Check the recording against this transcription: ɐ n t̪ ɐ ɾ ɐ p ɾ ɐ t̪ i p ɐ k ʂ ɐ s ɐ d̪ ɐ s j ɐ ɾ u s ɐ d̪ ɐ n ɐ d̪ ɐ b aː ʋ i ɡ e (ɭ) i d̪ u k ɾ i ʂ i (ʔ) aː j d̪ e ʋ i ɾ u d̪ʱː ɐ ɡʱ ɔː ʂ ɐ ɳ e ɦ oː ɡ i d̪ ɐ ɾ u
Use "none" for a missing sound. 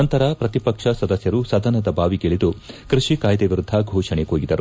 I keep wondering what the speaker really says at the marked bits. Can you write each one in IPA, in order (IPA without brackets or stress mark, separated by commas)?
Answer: ɭ, k